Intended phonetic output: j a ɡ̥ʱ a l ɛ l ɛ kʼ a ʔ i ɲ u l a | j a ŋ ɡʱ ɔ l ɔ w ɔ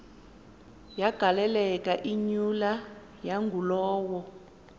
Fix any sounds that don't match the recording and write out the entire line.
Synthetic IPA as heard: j a ɡ̥ʱ a l ɛ l ɛ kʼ a ʔ i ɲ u l a | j a ŋ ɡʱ u l ɔː w ɔ